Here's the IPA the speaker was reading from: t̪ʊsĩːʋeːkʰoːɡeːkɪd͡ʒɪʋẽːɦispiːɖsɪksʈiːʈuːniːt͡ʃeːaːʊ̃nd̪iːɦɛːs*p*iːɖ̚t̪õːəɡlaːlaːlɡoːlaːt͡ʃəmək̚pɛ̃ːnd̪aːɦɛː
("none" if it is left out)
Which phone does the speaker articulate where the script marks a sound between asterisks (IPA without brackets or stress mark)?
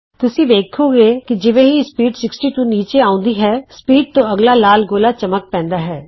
p